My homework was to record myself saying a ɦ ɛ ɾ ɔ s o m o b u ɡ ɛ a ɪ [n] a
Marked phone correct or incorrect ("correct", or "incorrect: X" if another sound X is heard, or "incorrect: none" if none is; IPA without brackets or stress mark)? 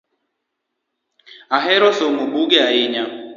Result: incorrect: ɲ